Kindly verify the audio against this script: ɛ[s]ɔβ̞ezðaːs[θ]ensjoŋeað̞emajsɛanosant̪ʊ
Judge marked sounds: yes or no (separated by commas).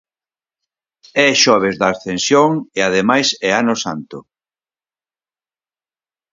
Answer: no, yes